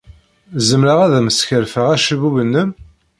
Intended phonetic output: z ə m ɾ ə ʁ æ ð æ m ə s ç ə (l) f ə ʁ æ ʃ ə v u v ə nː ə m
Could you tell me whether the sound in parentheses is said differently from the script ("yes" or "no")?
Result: yes